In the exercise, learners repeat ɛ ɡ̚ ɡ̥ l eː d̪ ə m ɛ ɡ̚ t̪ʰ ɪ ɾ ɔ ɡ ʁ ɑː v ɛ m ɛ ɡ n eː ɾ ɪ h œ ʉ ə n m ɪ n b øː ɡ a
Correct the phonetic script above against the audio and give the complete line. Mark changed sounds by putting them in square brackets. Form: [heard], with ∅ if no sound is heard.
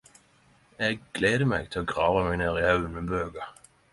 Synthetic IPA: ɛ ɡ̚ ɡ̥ l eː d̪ ə m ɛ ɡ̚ t̪ʰ ɪ [l] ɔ ɡ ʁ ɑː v [a] m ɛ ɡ n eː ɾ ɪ h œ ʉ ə n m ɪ n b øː ɡ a